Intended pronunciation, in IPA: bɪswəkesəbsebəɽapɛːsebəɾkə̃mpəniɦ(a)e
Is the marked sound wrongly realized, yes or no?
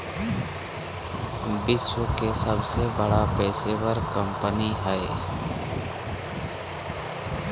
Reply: yes